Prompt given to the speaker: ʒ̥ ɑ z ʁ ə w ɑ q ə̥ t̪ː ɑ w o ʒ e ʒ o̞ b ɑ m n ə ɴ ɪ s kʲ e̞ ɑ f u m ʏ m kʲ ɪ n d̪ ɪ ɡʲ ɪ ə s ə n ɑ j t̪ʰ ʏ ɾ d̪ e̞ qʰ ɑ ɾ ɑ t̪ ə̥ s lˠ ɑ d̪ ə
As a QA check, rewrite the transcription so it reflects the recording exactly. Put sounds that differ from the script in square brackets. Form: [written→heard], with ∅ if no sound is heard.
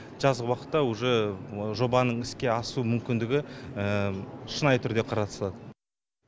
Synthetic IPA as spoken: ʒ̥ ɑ z ʁ ə w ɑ q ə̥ t̪ː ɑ w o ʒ e ʒ o̞ b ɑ [m→∅] n ə ɴ ɪ s kʲ e̞ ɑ [f→s] u m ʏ m kʲ ɪ n d̪ ɪ ɡʲ ɪ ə [s→ʃ] ə n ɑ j t̪ʰ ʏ ɾ d̪ e̞ qʰ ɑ ɾ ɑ t̪ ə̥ s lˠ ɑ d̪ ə